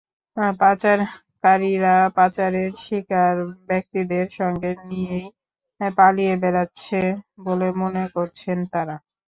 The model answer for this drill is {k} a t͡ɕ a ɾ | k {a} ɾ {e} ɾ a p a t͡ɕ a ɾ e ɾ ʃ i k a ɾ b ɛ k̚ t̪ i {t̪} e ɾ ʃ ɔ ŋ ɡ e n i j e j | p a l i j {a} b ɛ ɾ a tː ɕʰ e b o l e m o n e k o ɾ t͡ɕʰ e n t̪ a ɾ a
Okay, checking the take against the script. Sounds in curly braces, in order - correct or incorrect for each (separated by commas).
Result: incorrect, correct, incorrect, incorrect, incorrect